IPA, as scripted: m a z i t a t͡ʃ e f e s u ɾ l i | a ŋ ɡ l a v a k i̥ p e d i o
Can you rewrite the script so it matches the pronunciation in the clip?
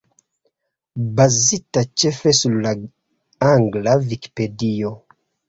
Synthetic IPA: b a z i t a t͡ʃ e f e s u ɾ l a | a ŋ ɡ l a v i k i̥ p e d i o

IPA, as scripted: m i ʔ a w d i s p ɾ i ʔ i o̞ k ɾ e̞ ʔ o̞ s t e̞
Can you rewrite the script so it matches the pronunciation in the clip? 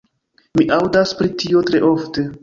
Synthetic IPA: m i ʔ a w d a s p ɾ i t i o̞ t ɾ e̞ ʔ o̞ f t e̞

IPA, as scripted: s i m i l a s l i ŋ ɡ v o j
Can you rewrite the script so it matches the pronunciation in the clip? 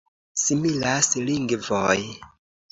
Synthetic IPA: s i m i l a s l i ŋ ɡ v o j

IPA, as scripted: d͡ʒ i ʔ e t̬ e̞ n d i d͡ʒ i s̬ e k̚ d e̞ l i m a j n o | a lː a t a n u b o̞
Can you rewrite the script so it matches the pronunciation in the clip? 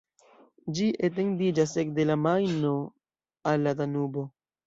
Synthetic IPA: d͡ʒ i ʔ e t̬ e̞ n d i d͡ʒ a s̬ e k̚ d e̞ l a m a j n o | a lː a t a n u b o̞

